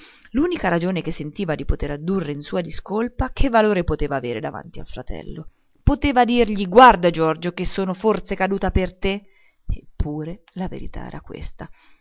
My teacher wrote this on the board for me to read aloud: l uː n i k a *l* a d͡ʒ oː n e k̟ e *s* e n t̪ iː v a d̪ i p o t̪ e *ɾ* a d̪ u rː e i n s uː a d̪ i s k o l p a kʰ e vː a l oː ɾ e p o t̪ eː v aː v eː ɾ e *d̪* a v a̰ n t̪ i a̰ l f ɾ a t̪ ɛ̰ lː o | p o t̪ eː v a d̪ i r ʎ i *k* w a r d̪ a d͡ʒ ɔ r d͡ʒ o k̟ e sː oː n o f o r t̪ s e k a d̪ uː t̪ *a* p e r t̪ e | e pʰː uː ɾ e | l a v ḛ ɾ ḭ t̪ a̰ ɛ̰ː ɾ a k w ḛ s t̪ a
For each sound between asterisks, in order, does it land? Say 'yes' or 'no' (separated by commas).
no, no, yes, yes, no, yes